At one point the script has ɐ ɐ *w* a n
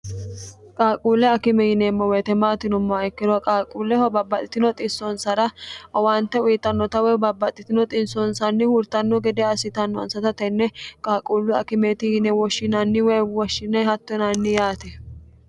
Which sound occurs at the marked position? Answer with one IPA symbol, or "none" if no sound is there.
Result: w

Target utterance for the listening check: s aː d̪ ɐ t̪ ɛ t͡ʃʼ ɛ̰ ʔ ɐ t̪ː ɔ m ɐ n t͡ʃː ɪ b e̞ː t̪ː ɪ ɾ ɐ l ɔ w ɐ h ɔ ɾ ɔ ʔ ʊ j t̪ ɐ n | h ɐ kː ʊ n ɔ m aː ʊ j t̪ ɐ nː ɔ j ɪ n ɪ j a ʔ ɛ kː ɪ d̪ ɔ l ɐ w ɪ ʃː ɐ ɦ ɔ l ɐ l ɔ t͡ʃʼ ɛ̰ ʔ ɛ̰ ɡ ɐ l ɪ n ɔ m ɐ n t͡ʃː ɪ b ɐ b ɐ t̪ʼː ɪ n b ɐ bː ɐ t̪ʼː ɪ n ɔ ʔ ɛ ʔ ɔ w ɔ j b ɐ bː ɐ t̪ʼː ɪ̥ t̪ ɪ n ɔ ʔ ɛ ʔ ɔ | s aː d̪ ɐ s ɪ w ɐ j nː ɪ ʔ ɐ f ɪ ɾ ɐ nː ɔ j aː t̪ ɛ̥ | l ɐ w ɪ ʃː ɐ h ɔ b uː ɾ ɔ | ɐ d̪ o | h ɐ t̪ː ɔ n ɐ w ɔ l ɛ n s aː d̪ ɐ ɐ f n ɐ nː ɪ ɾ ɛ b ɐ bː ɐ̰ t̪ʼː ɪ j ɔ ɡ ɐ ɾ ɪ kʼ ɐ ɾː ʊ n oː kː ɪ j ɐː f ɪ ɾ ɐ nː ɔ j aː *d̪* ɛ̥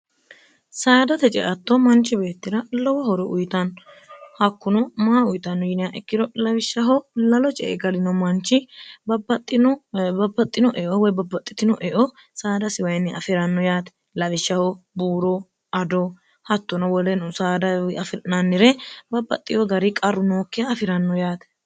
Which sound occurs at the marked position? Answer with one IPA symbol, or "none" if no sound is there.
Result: t̪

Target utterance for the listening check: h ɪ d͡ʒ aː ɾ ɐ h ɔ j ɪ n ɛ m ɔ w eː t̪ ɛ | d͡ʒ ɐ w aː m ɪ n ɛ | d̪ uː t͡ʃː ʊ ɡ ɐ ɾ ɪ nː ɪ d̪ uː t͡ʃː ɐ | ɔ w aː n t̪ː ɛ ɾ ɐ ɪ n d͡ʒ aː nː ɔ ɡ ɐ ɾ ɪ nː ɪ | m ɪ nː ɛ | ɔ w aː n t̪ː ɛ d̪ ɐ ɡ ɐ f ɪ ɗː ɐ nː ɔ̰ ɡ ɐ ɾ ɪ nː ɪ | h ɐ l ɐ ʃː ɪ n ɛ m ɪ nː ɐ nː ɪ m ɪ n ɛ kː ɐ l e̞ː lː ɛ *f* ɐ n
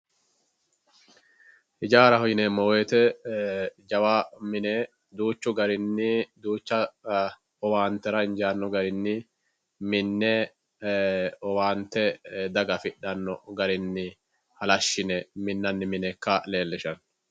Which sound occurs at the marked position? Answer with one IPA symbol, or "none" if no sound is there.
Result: ʃ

